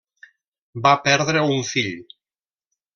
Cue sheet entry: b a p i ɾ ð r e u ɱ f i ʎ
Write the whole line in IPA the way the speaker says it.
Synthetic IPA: b a p ɛ ɾ ð ɾ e u ɱ f i ʎ